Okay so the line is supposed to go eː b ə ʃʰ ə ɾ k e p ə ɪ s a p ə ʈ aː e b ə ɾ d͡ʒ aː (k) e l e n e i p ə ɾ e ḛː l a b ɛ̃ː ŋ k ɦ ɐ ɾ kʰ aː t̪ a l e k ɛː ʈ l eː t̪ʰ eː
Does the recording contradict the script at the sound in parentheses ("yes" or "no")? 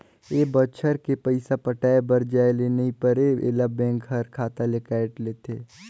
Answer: yes